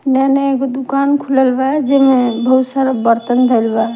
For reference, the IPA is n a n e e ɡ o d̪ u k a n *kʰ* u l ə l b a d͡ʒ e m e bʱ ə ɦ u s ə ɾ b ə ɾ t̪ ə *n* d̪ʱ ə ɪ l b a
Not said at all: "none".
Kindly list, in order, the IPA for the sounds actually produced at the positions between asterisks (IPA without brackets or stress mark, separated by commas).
kʰ, n